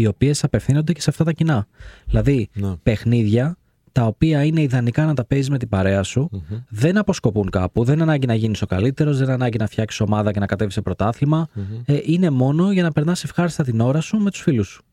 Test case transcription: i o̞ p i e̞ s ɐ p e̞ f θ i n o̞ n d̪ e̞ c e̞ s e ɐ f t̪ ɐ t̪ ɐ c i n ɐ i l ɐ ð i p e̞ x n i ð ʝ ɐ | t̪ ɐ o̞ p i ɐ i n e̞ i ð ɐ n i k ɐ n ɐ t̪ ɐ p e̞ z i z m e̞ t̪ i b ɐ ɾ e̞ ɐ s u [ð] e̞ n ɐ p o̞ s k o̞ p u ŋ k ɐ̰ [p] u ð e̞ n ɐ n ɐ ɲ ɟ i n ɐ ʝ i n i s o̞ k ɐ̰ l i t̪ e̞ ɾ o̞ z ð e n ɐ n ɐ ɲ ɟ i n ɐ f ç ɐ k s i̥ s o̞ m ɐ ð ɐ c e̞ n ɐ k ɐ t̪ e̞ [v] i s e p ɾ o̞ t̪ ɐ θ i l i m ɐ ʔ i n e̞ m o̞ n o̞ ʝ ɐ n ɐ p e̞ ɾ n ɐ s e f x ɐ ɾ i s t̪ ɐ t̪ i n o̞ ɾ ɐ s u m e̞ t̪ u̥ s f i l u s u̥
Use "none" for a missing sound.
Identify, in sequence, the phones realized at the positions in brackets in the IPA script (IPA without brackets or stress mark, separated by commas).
ð, p, v